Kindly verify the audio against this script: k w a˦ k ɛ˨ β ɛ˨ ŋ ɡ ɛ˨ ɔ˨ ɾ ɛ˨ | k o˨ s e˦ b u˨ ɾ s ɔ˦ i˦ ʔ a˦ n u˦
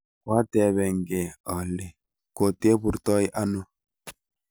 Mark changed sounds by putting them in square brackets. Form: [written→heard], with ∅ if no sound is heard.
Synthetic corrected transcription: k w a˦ [k→t] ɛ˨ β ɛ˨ ŋ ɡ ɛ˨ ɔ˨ [ɾ→l] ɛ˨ | k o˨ [s→t] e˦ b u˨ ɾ [s→t] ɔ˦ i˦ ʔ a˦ n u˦